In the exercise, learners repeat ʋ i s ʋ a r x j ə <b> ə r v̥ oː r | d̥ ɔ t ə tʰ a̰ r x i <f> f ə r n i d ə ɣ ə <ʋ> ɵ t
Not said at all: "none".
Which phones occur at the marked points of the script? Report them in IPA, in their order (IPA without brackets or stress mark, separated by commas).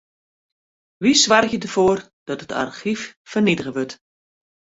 d, f, ʋ